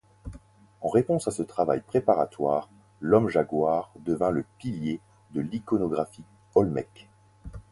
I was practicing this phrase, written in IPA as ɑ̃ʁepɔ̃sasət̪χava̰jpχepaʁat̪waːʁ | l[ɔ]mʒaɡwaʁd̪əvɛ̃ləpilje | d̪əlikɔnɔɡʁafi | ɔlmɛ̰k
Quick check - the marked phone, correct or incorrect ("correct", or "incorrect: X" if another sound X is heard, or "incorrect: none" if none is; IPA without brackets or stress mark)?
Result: correct